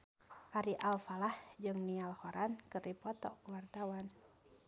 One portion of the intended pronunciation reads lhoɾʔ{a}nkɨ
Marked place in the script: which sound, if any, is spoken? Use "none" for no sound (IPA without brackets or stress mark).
a